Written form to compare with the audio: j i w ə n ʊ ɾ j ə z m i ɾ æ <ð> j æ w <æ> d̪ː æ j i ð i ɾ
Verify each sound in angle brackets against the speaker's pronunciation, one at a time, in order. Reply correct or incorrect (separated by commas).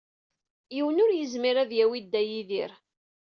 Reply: correct, incorrect